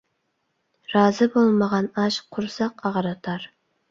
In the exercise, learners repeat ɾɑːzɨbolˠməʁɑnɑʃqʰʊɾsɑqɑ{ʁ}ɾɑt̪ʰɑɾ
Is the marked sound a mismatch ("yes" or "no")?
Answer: no